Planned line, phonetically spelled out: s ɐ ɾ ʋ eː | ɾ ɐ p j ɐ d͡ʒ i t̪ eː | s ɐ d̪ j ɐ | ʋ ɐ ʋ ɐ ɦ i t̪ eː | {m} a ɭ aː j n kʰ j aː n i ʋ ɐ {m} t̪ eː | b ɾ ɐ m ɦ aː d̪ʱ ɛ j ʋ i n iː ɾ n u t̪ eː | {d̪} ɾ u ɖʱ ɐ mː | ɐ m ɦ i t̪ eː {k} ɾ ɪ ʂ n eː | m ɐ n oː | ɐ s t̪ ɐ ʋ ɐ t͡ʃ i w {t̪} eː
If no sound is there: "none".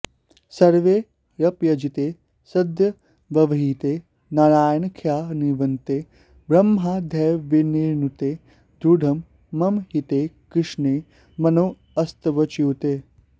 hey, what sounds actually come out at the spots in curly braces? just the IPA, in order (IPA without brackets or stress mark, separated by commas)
n, n, d̪, k, t̪